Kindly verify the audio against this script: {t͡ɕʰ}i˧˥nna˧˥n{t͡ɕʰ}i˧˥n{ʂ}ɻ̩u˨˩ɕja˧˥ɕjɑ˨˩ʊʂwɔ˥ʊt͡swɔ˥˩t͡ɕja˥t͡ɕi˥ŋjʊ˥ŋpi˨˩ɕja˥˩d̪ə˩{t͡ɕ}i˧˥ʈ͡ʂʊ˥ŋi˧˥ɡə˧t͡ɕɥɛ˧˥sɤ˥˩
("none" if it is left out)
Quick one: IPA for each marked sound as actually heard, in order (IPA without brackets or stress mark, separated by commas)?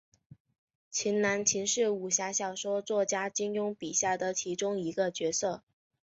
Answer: t͡ɕʰ, t͡ɕʰ, ʂ, t͡ɕʰ